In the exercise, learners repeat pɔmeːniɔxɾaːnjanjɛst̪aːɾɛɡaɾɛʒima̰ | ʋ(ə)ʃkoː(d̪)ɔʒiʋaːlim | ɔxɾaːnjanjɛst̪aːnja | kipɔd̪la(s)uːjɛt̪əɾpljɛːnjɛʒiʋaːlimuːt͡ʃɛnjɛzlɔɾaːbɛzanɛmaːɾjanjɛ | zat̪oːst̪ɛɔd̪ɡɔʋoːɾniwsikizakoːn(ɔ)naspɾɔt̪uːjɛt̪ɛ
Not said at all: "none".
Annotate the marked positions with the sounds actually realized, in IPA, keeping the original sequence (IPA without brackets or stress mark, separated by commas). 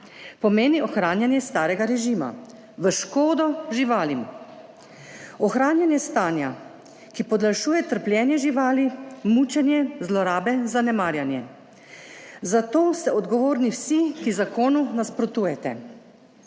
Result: ə, d̪, ʃ, u